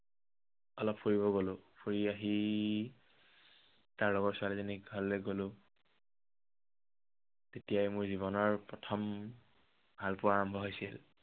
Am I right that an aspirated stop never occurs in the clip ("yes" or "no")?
no